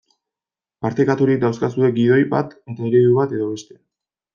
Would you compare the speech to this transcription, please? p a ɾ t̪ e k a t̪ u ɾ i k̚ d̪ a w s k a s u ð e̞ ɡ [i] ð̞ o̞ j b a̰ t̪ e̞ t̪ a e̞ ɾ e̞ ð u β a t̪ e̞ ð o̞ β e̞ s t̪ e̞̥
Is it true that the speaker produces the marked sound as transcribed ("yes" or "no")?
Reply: yes